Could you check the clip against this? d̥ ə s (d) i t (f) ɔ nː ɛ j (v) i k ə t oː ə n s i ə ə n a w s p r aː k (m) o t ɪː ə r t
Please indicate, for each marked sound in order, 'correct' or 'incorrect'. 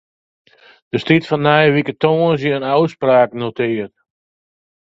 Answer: incorrect, correct, incorrect, incorrect

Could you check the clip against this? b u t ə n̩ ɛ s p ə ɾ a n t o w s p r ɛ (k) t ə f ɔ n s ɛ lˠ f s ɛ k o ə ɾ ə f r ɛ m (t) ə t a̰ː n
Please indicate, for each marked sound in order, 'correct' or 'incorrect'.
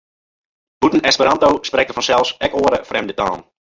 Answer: correct, incorrect

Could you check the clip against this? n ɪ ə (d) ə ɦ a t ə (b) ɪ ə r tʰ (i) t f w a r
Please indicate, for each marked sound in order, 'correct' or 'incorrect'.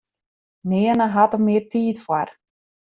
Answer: incorrect, incorrect, incorrect

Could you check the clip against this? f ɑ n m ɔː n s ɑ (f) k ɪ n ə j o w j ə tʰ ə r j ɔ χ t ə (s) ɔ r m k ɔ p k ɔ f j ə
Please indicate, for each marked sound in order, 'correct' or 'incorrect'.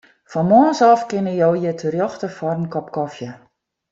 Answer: correct, incorrect

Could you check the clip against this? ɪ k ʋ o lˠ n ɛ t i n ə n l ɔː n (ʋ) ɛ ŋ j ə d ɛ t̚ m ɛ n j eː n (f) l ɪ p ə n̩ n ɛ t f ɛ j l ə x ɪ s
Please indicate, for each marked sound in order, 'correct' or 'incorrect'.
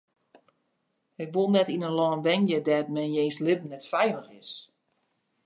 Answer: correct, incorrect

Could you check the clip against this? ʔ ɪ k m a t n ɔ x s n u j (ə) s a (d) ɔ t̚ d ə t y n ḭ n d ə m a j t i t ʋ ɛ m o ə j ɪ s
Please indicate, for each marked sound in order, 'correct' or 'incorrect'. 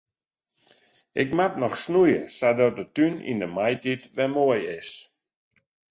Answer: correct, correct

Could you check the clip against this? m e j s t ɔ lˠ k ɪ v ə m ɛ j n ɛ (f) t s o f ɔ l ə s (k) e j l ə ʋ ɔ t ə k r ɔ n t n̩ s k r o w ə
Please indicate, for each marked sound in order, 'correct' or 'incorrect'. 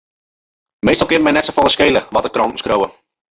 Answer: incorrect, correct

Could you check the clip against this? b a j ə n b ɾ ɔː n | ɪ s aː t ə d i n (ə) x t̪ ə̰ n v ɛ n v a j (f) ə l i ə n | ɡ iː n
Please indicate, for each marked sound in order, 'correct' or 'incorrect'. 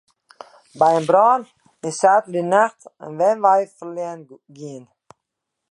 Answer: incorrect, correct

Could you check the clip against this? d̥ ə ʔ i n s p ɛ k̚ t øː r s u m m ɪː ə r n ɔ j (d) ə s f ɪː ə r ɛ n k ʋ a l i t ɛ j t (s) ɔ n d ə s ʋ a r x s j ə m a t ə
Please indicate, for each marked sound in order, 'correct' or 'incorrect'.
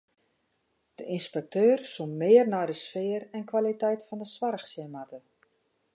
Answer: correct, incorrect

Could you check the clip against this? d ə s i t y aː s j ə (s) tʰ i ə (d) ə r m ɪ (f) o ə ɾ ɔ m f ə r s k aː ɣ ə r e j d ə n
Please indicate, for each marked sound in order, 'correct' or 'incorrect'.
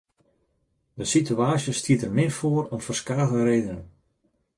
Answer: correct, incorrect, correct

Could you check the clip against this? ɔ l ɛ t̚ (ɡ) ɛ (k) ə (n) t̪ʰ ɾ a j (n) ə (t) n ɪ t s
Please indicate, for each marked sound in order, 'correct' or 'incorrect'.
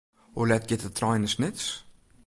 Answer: correct, incorrect, incorrect, correct, incorrect

